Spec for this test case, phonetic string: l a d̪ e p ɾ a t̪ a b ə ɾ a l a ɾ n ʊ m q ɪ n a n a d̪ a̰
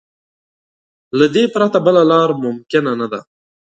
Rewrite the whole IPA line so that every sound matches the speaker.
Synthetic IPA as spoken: l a d̪ e p ɾ a t̪ a b ə l a l ɑ ɾ m ʊ m k ɪ n a n a d̪ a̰